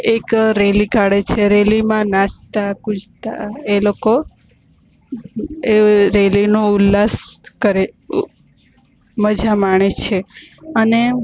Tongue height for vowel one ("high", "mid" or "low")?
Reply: mid